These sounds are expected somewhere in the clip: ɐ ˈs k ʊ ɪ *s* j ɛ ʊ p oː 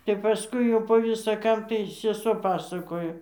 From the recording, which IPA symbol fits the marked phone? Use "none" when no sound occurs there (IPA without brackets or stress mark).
none